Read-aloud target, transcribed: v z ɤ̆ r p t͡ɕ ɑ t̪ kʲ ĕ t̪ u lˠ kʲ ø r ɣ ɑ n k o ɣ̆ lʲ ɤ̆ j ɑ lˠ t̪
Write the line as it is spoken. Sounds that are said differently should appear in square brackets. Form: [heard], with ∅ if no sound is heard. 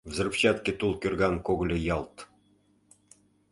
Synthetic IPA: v z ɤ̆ r p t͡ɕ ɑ t̪ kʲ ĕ t̪ u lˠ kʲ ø r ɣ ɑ n k o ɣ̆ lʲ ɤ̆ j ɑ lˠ t̪